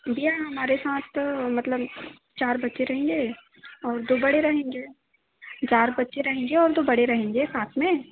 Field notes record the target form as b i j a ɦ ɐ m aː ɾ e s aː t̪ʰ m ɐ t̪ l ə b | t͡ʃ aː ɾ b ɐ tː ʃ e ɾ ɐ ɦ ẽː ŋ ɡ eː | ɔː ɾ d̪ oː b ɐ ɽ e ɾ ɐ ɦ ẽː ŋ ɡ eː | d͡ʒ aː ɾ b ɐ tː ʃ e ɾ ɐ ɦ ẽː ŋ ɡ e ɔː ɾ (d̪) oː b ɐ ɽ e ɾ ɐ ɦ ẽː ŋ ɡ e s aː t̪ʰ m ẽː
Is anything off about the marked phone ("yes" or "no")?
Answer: no